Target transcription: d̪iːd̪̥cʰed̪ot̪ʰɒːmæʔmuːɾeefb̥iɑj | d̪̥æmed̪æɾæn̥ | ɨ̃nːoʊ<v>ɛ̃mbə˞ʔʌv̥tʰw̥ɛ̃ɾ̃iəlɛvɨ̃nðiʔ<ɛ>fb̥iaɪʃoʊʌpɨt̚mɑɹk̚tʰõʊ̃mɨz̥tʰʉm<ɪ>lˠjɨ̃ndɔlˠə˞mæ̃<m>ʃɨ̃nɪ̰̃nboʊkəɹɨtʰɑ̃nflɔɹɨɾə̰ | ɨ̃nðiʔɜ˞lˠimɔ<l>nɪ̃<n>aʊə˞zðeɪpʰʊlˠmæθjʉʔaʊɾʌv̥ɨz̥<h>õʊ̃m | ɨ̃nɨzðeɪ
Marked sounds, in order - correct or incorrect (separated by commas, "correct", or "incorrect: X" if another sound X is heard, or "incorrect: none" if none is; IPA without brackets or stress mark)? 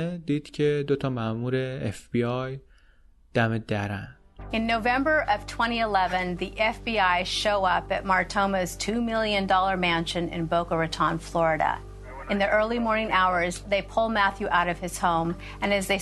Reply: correct, correct, correct, incorrect: n, incorrect: ɹ, incorrect: ŋ, correct